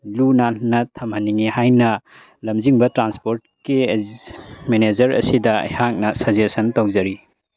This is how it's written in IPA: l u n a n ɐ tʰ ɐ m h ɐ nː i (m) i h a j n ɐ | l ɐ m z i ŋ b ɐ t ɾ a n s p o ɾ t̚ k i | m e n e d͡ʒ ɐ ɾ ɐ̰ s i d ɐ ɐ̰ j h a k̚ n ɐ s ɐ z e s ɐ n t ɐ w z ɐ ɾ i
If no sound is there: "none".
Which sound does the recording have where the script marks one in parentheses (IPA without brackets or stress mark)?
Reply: ŋ